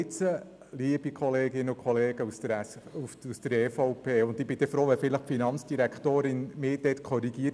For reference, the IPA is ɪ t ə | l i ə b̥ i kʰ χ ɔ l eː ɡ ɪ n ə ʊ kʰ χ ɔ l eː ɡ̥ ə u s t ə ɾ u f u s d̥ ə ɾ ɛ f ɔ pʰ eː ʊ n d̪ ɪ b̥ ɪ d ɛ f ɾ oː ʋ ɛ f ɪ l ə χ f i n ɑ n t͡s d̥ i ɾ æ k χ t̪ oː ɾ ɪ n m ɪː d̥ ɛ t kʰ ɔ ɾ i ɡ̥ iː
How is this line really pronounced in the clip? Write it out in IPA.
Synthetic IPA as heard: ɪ t͡s ə | l i ə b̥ i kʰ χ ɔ l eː ɡ ɪ n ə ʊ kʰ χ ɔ l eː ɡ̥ ə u s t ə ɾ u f u s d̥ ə ɾ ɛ f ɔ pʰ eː ʊ n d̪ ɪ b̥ ɪ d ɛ f ɾ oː ʋ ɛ f ɪ l ə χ f i n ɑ n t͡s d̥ i ɾ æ k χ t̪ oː ɾ ɪ n m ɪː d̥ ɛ t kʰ ɔ ɾ i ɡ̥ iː